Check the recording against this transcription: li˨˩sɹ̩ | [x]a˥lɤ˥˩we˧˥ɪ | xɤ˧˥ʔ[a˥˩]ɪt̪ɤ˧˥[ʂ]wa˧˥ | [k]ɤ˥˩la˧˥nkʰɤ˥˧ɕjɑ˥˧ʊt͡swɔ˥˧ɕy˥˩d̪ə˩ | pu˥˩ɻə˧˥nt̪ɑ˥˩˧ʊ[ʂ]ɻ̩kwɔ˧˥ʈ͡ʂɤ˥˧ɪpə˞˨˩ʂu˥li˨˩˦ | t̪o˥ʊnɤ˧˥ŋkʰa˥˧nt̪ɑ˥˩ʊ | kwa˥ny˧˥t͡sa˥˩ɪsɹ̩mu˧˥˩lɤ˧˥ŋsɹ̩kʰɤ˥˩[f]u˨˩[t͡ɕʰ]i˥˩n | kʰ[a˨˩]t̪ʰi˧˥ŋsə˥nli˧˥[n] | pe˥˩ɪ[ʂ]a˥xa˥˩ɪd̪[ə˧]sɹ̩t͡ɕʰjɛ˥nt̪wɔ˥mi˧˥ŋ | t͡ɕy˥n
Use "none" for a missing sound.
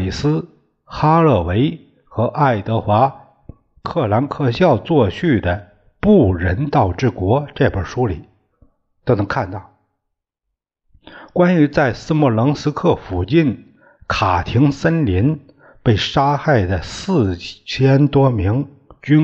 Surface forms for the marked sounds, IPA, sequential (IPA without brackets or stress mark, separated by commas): x, a˥˩, x, kʰ, ʈ͡ʂ, f, t͡ɕ, a˨˩, n, ʂ, ə˩